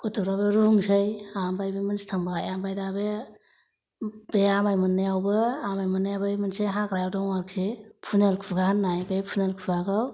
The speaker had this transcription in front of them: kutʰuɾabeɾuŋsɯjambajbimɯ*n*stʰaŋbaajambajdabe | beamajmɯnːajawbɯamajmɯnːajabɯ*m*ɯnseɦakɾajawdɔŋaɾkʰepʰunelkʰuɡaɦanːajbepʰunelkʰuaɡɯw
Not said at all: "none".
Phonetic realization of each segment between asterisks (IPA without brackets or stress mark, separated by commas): n, m